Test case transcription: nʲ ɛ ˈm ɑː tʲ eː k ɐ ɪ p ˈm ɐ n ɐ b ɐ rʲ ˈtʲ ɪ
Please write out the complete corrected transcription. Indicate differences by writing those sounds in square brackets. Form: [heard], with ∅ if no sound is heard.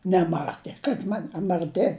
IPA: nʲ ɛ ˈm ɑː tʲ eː k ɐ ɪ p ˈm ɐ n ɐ [m] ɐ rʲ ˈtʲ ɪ